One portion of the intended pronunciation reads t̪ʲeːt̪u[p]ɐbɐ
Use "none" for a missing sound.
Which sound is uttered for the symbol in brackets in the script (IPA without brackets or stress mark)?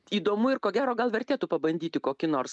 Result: p